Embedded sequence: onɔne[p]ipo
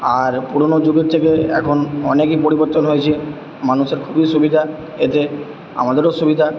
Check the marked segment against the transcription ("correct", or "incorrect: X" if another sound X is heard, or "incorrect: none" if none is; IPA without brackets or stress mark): incorrect: k